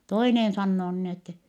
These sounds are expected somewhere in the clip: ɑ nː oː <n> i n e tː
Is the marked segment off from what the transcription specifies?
no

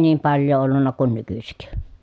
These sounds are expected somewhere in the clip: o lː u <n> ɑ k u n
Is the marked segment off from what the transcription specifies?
yes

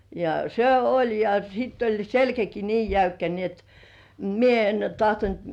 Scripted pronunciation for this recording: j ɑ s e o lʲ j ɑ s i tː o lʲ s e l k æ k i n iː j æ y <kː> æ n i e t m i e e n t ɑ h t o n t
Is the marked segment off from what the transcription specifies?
no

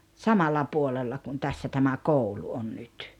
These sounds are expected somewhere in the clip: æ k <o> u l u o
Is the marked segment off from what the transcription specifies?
no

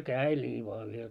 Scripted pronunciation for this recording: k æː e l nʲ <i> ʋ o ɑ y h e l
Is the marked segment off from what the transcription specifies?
yes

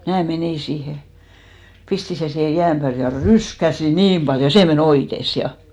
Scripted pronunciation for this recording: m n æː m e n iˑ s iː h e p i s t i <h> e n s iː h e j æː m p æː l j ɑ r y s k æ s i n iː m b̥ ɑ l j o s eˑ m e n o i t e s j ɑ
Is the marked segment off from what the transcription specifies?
yes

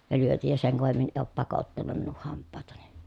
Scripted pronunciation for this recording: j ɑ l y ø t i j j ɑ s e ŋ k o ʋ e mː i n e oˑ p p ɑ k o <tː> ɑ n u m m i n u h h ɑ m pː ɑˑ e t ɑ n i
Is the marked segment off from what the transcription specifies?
no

